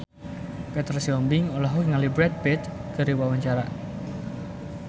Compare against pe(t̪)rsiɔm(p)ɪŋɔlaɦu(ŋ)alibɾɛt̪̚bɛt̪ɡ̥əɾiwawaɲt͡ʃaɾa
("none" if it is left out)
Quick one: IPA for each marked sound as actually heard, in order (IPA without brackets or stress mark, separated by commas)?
t̪, b, ŋ